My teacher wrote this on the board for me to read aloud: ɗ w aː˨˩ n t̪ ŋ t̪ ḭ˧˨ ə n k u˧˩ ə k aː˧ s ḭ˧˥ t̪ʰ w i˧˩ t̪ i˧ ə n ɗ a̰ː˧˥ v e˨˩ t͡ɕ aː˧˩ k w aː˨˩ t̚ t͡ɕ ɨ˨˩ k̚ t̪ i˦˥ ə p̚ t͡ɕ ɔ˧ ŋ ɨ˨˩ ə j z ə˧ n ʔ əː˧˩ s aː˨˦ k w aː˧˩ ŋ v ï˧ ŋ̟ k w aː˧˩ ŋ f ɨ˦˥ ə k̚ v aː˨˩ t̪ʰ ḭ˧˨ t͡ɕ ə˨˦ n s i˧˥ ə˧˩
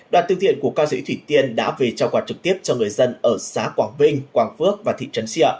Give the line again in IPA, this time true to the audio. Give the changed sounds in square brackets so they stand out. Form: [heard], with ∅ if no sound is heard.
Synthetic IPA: ɗ w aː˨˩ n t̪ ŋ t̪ ḭ˧˨ ə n k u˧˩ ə k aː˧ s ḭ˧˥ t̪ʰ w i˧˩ t̪ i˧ ə n ɗ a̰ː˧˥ v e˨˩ t͡ɕ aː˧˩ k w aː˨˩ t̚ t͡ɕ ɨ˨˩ k̚ t̪ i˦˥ ə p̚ t͡ɕ ɔ˧ ŋ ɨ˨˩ ə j z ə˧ n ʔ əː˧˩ s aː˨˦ k w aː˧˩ ŋ v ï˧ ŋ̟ k w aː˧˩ ŋ f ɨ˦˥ ə k̚ v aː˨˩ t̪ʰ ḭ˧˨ t͡ɕ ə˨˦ n s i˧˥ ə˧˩